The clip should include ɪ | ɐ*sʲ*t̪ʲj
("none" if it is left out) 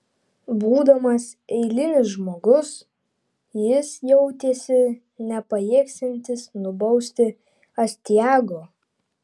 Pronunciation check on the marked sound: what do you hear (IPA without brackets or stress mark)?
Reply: sʲ